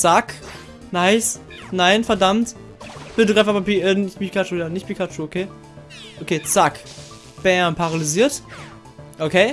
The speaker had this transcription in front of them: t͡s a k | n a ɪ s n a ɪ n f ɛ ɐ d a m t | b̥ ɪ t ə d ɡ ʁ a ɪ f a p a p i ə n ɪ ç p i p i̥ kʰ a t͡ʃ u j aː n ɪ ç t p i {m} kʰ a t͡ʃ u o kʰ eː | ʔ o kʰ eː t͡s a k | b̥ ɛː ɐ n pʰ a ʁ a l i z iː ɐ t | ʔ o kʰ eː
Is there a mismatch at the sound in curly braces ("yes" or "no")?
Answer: yes